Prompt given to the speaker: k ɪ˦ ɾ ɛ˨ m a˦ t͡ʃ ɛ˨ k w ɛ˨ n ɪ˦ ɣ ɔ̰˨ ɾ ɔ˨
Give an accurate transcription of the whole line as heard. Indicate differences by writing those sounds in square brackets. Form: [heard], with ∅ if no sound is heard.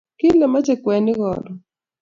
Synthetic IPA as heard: k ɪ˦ [l] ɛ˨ m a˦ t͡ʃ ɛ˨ k w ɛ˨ n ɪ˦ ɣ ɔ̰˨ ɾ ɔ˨